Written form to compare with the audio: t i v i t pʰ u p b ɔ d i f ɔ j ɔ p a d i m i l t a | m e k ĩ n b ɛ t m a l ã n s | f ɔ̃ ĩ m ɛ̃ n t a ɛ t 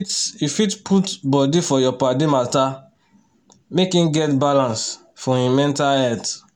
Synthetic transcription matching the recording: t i f i t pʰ u t b ɔ d i f ɔ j ɔ p a d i m a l t a | m e k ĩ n ɡ ɛ t b a l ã n s | f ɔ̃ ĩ m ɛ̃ n t a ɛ t